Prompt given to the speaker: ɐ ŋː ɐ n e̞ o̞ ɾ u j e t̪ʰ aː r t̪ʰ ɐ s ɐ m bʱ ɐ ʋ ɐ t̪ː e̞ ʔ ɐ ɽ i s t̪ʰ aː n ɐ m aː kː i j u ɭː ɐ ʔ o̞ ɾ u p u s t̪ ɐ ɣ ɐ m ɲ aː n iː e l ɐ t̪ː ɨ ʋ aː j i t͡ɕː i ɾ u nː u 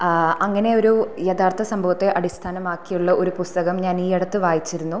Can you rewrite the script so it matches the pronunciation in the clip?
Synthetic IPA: ɐ ŋː ɐ n e̞ o̞ ɾ u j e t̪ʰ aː r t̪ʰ ɐ s ɐ m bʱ ɐ ʋ ɐ t̪ː e̞ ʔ ɐ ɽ i s t̪ʰ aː n ɐ m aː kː i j u ɭː ɐ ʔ o̞ ɾ u p u s t̪ ɐ ɣ ɐ m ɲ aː n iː e ɽ ɐ t̪ː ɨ ʋ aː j i t͡ɕː i ɾ u nː u